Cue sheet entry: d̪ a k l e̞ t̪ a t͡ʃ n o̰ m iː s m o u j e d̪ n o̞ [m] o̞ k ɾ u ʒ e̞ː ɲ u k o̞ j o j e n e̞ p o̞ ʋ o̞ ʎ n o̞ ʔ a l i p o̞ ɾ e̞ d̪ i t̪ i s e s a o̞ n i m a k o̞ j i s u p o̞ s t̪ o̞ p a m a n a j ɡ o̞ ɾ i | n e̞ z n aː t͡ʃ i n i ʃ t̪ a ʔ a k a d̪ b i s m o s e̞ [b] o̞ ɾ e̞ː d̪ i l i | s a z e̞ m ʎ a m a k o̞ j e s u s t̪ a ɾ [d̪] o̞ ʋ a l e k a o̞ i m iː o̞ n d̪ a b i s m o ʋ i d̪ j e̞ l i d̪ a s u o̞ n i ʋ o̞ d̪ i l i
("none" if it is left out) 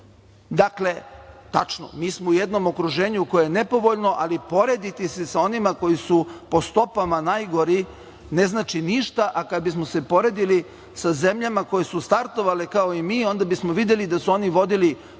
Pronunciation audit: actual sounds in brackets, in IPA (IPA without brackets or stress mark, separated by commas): m, p, t̪